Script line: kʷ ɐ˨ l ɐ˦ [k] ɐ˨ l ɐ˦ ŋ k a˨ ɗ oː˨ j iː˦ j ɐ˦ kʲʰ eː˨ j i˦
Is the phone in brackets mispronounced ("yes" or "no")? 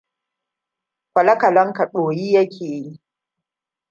no